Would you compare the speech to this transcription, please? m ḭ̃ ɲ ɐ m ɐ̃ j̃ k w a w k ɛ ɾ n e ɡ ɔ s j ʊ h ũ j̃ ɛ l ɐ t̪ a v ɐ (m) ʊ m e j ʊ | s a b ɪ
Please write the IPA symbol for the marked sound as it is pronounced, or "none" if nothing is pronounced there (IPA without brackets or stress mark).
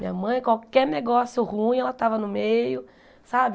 n